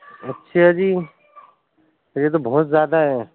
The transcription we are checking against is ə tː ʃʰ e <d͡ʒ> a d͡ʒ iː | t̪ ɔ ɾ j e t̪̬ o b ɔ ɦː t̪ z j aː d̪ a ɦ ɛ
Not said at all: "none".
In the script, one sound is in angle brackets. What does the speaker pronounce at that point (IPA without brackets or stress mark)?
none